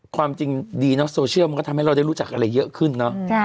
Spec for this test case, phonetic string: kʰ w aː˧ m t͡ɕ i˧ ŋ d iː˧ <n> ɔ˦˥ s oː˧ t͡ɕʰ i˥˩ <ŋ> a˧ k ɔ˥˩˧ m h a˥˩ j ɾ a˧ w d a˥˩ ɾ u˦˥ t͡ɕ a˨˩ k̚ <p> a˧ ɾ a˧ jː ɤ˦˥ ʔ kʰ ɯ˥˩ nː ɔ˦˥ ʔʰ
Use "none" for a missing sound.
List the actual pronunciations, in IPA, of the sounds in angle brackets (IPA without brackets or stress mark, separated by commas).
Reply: n, m, ʔ